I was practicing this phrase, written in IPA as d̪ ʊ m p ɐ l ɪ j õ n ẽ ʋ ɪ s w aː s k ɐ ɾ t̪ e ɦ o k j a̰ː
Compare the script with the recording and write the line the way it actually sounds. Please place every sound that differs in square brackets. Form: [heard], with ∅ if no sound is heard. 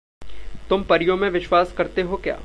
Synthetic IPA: [t̪] ʊ m p ɐ [ɾ] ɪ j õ [m] ẽ ʋ ɪ [ʃ] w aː s k ɐ ɾ t̪ e ɦ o k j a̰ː